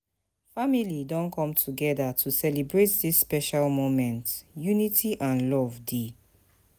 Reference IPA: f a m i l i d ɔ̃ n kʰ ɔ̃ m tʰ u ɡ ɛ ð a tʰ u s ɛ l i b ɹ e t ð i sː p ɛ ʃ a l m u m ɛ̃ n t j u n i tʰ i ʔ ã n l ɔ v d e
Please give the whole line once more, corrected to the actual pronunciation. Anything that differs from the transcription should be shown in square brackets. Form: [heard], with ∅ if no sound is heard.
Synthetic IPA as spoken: f a m i l i d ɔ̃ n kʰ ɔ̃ m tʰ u ɡ ɛ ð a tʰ u s ɛ l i b ɹ e t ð i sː p ɛ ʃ a l m [o] m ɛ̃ n t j u n i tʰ i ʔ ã n l ɔ v d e